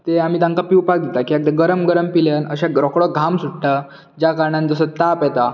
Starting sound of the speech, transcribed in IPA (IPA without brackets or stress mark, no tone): t̪